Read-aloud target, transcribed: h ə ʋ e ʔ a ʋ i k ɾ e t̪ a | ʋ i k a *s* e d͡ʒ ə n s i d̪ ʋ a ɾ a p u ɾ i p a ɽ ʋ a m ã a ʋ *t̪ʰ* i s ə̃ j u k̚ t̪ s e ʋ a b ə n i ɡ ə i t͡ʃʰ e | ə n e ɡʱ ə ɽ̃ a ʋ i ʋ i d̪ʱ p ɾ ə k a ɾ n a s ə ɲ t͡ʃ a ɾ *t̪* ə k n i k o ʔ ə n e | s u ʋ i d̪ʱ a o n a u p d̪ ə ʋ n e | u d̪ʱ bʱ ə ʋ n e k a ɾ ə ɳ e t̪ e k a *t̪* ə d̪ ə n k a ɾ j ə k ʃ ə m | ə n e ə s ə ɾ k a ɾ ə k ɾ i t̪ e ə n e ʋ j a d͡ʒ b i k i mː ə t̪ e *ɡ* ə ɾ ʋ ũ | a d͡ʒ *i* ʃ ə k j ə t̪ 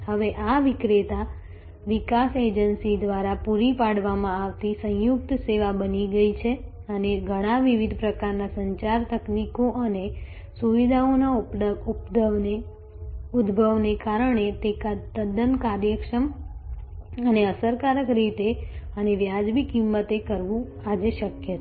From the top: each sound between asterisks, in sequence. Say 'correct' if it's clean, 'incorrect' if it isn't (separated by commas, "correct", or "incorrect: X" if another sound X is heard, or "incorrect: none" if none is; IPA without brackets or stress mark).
correct, incorrect: t̪, correct, correct, incorrect: k, incorrect: e